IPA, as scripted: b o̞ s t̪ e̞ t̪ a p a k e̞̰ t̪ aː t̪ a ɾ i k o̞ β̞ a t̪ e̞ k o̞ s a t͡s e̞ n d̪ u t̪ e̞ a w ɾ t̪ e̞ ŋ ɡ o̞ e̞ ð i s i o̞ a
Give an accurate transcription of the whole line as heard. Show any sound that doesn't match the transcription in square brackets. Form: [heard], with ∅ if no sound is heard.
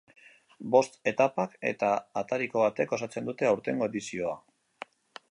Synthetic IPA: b o̞ s t̪ e̞ t̪ a p a k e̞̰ t̪ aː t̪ a ɾ i k o̞ β̞ a t̪ e̞ k o̞ s a t͡s e̞ n d̪ u t̪ e̞ a w ɾ t̪ e̞ ŋ ɡ o̞ e̞ ð i s i o̞ a